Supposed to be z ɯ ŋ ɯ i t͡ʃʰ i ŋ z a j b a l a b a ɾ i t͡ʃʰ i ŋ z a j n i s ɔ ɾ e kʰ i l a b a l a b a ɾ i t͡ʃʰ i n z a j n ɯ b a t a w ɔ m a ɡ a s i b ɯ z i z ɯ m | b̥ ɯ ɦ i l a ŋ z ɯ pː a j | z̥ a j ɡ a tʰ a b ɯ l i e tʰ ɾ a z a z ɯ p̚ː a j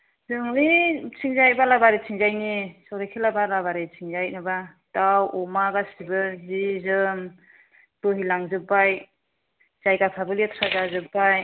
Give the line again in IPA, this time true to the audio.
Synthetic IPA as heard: z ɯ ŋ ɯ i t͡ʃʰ i ŋ z a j b a l a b a ɾ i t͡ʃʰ i ŋ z a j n i s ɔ ɾ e kʰ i l a b a l a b a ɾ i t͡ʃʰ i ŋ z a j n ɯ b a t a w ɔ m a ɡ a s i b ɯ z i z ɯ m | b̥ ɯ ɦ i l a ŋ z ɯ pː a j | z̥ a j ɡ a pʰ a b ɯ l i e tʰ ɾ a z a z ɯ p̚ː a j